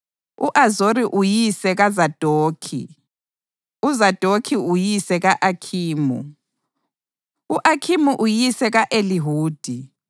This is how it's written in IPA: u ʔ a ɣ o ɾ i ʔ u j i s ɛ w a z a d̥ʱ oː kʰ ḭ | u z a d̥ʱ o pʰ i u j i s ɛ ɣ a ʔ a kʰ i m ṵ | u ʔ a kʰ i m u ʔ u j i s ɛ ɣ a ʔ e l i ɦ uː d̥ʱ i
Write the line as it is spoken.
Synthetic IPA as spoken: u ʔ a z o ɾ i ʔ u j i s ɛ ɣ a z a d̥ʱ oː kʰ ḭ | u z a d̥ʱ o kʰ i u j i s ɛ ɣ a ʔ a kʰ iː m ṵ | u ʔ a kʰ i m u ʔ u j i s ɛ ɣ a ʔ e l i ɦ uː d̥ʱ i